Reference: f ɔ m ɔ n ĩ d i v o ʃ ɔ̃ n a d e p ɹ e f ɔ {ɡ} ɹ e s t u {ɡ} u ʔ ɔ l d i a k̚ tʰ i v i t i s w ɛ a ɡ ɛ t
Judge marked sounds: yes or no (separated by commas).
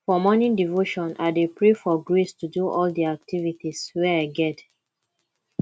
yes, no